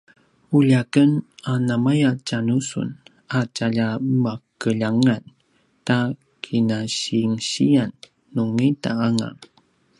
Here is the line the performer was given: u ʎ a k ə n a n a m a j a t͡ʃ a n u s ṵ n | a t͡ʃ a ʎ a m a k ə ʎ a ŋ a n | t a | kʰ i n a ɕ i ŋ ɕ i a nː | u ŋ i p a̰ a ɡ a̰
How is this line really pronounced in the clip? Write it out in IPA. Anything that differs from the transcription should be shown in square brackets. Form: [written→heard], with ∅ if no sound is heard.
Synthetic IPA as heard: u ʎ a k ə n a n a m a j a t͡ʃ a n u s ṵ n | a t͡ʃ a ʎ a m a k ə ʎ a ŋ a n | t a | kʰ i n a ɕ i ŋ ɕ i a nː | u ŋ i [p→t] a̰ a [ɡ→ŋ] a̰

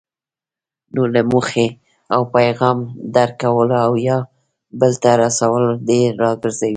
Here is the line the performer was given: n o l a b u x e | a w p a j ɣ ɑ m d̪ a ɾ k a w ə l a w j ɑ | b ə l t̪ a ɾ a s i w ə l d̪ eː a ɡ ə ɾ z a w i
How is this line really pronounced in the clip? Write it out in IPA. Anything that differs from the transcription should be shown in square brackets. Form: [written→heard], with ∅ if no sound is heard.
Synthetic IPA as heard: n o l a [b→m] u x e | a w p a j ɣ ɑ m d̪ a ɾ k a w ə l a w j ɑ | b ə l t̪ a ɾ a s [i→a] w ə l d̪ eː [a→ɑ] ɡ ə ɾ z a w i

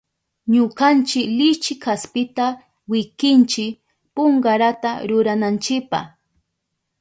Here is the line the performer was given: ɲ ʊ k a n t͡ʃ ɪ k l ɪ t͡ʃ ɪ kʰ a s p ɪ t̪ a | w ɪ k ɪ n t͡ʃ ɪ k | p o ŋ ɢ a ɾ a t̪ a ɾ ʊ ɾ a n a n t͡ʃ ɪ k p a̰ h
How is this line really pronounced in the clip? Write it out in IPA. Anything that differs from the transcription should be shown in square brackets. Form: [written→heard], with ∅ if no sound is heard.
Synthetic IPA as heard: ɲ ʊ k a n t͡ʃ ɪ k l ɪ t͡ʃ ɪ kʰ a s p ɪ t̪ a | w ɪ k ɪ n t͡ʃ ɪ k | p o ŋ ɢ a ɾ a t̪ a ɾ ʊ ɾ a n a n t͡ʃ ɪ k p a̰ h

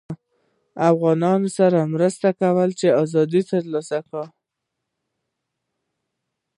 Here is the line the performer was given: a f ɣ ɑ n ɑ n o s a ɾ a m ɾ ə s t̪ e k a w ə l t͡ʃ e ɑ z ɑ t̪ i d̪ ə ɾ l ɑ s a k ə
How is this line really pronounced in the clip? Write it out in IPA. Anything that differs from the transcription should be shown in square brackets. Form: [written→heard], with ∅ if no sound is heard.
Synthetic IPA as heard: a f ɣ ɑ n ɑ n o s a ɾ a m ɾ ə s t̪ [e→a] k a w ə l t͡ʃ e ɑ z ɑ [t̪→d̪] i [d̪→t̪] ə ɾ l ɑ s a k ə

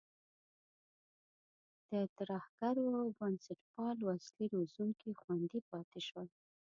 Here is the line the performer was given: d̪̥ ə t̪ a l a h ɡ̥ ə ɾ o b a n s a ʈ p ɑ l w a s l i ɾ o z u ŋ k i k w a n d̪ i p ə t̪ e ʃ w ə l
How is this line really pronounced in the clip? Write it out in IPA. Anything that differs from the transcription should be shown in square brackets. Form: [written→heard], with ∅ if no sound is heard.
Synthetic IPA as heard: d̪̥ ə t̪ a [l→ɾ] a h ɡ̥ [ə→a] ɾ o b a n s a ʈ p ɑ l w a s l i ɾ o z u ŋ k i [k→x] w a n d̪ i p [ə→ɑ] t̪ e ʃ w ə l

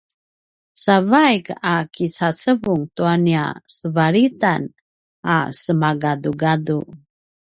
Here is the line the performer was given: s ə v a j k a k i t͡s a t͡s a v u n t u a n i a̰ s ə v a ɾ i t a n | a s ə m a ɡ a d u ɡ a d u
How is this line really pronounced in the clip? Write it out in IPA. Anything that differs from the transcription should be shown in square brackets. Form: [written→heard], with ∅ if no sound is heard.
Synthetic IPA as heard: s [ə→a] v a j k a k i t͡s a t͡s [a→ə] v u [n→ŋ] t u a n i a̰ s ə v a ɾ i t a n | a s ə m a ɡ a d u ɡ a d u

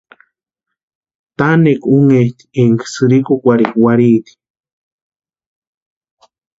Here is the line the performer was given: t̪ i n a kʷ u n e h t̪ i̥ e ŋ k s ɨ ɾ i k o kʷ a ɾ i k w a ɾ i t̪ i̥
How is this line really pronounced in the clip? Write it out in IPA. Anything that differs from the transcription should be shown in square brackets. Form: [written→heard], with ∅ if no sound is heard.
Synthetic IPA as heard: t̪ [i→a] n [a→e] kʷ u [n→ŋ] e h t̪ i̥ e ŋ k s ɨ ɾ i k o kʷ a ɾ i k w a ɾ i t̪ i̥

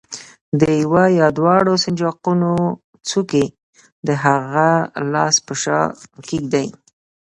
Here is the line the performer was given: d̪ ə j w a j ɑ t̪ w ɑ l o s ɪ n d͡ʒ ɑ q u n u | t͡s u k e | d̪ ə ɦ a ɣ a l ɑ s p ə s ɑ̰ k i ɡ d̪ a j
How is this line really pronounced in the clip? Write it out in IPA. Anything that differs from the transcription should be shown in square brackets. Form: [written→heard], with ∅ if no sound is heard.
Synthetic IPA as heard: d̪ ə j w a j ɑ [t̪→d̪] w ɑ [l→ɽ] o s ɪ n d͡ʒ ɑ q u n [u→o] | t͡s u k e | d̪ ə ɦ a ɣ a l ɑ s p ə [s→ʃ] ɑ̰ k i ɡ d̪ a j

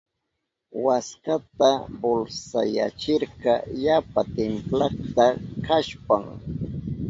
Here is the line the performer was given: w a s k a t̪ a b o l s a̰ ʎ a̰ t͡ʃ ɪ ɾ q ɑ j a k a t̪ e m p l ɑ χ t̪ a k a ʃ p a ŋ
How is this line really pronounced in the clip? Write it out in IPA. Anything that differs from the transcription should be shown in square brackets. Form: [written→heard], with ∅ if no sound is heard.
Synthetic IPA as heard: w a s k a t̪ a b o l s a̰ [ʎ→j] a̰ t͡ʃ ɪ ɾ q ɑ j a [k→p] a t̪ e m p l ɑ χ t̪ a k a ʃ p a ŋ

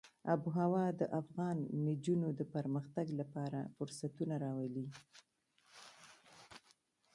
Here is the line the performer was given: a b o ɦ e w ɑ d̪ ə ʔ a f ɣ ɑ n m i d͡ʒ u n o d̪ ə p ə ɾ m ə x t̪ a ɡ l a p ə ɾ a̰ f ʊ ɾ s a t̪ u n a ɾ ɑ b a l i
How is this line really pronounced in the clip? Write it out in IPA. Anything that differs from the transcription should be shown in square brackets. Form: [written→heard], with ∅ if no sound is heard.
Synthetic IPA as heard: a b [o→u] ɦ [e→a] w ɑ d̪ ə ʔ a f ɣ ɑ n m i d͡ʒ u n o d̪ ə p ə ɾ m ə x t̪ a ɡ l a p [ə→ɑ] ɾ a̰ f ʊ ɾ s a t̪ u n a ɾ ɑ [b→w] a l i

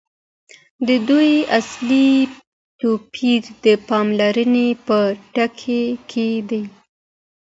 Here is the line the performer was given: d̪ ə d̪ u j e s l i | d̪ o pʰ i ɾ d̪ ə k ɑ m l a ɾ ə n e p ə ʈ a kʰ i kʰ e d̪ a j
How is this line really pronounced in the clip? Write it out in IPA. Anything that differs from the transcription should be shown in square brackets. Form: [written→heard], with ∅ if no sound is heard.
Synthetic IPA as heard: d̪ ə d̪ u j [e→a] s l i | [d̪→t̪] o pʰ i ɾ d̪ ə [k→p] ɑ m l a ɾ ə n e p ə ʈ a kʰ [i→e] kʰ e d̪ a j

